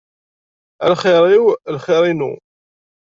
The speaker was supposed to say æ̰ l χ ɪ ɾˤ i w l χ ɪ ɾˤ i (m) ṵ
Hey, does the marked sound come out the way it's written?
no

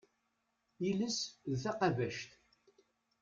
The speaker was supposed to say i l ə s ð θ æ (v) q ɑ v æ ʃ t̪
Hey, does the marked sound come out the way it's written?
no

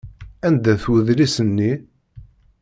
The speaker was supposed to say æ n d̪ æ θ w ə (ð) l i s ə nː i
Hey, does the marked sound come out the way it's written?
yes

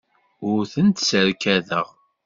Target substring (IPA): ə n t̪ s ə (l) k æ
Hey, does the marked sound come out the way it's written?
no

